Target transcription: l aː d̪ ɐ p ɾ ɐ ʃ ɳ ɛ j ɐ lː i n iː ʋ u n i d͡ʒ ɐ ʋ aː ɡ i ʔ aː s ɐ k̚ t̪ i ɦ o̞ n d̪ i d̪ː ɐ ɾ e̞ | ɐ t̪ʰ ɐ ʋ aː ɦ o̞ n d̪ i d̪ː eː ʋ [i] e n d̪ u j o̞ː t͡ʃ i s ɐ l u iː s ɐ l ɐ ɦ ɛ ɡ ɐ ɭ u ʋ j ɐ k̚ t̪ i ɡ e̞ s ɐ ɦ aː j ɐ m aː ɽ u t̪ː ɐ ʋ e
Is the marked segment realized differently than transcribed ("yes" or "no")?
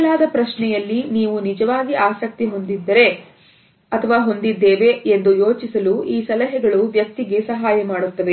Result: yes